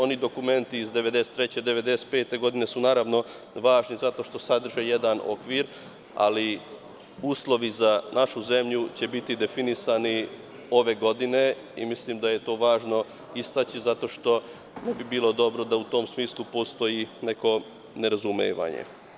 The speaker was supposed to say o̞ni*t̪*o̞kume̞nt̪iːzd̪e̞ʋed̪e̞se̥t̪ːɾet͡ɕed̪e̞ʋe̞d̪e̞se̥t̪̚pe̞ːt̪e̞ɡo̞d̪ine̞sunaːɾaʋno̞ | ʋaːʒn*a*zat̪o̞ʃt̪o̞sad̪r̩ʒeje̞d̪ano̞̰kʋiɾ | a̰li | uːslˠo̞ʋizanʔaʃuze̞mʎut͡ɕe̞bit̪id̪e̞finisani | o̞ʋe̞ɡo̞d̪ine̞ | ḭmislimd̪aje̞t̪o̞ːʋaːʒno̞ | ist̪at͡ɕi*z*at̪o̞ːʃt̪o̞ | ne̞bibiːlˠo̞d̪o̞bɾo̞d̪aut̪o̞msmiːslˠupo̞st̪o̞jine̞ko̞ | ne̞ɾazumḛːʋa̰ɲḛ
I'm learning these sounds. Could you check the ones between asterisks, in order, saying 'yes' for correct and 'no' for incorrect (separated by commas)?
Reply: no, no, yes